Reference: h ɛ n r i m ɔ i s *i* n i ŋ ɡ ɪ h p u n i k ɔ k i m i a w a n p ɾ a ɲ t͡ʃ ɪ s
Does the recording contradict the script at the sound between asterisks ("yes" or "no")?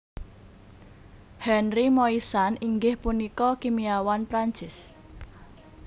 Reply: yes